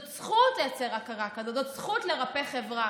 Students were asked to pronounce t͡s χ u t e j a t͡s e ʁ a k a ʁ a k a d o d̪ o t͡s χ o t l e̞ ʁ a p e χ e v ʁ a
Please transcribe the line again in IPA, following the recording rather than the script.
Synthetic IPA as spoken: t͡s χ u t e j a t͡s e ʁ a k a ʁ a k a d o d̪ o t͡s χ u t l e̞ ʁ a p e χ e v ʁ a

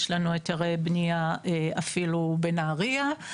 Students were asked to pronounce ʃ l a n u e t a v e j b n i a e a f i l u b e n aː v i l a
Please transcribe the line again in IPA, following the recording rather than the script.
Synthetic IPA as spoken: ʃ l a n u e t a ʁ e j b n i a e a f i l u b e n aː ʁ i a

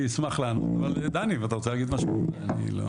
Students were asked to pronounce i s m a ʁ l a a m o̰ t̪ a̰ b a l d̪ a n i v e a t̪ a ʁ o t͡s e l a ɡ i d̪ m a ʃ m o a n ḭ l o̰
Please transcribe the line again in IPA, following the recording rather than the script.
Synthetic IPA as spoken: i s m a χ l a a n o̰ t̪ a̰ v a l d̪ a n i v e a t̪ a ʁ o t͡s e l a ɡ i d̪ m a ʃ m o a n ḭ l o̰

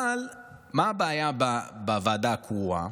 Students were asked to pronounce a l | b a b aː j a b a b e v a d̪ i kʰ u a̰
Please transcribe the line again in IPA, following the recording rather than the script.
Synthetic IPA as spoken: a l | m a b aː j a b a b a v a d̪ a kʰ u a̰

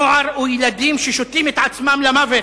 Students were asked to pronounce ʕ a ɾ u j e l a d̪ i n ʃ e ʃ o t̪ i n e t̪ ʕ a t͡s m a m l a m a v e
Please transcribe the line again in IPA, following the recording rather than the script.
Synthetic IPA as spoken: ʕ a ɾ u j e l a d̪ i m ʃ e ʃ o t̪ i m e t̪ ʕ a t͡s m a m l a m a v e

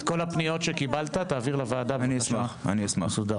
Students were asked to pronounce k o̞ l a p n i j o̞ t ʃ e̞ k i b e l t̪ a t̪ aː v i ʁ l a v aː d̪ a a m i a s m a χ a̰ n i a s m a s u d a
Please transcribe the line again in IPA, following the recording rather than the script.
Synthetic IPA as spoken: k o̞ l a p n i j o̞ t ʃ e̞ k i b a l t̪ a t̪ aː v i ʁ l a v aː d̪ a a n i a s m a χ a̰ n i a s m a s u d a

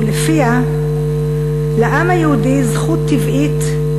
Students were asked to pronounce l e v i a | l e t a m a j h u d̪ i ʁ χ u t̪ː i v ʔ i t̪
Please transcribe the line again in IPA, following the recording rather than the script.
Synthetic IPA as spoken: l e f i a | l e ʔ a m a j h u d̪ i z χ u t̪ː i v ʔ i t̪

